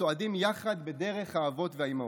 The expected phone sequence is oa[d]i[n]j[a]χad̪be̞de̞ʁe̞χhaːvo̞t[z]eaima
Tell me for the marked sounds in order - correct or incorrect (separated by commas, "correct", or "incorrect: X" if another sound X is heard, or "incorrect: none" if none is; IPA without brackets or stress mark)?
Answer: correct, incorrect: m, correct, incorrect: v